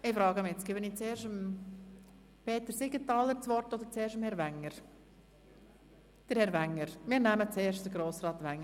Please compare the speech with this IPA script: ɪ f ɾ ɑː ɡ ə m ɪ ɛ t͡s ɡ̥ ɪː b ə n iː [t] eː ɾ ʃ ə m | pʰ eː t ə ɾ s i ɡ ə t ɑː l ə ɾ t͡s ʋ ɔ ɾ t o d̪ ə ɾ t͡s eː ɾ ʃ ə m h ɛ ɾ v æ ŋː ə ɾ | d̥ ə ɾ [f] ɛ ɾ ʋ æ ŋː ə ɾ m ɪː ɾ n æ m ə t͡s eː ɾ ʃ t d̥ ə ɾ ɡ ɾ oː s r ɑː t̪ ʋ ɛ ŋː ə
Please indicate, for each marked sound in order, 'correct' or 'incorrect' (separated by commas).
incorrect, incorrect